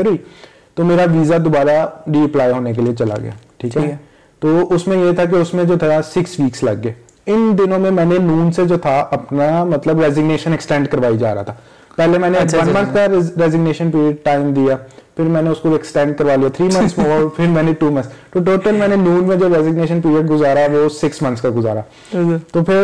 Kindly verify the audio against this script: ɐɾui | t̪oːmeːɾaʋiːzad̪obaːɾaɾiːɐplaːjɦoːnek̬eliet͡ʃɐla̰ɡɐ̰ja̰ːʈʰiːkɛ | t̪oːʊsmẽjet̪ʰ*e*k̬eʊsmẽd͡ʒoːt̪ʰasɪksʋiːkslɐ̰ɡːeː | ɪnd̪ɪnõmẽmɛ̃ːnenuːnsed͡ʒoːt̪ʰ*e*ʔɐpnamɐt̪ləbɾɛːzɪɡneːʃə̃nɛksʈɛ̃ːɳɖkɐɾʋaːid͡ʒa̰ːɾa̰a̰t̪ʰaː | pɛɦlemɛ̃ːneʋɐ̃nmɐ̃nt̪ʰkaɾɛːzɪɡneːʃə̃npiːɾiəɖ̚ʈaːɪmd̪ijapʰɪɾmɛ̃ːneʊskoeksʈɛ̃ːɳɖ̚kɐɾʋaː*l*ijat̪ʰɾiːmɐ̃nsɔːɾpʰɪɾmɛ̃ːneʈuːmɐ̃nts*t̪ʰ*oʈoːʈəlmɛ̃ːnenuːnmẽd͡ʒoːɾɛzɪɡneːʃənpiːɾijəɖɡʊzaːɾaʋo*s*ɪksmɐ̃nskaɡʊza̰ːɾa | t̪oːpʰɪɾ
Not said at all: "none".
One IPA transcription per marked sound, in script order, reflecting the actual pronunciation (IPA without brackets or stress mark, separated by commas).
a, a, l, t̪, s